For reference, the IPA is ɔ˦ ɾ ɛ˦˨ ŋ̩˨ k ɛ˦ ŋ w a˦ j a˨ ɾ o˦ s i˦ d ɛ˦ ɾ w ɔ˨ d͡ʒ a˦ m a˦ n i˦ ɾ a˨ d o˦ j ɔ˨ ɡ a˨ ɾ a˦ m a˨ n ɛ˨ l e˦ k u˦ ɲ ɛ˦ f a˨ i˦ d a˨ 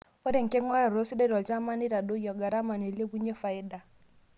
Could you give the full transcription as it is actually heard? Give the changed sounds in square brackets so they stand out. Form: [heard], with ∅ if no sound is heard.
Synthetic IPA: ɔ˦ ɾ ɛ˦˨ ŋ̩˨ k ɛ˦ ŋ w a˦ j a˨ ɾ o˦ s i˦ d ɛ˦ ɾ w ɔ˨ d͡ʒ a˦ m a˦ n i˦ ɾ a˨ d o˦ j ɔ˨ ɡ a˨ ɾ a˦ m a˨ n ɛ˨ l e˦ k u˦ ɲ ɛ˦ f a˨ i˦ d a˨